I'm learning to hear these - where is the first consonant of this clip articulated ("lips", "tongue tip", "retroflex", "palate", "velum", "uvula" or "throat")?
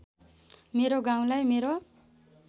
lips